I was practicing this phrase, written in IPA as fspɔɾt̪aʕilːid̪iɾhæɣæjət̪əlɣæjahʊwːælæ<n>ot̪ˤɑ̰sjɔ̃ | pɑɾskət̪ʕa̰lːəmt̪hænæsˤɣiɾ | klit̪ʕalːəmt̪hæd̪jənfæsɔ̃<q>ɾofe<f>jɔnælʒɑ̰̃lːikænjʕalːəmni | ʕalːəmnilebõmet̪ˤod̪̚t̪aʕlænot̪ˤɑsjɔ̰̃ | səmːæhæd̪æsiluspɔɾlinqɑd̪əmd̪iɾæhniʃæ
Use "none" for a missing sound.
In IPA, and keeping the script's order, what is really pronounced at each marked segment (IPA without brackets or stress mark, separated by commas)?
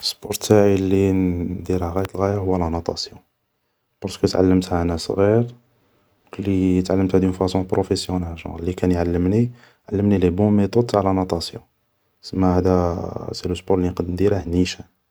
n, p, s